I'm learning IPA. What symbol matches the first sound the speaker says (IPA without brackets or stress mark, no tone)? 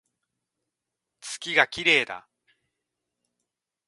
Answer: t͡s